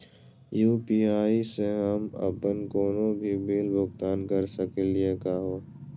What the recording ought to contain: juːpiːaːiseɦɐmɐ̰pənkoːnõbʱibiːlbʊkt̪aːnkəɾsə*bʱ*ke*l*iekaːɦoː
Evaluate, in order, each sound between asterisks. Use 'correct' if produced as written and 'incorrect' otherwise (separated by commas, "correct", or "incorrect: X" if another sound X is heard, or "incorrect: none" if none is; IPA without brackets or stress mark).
incorrect: none, correct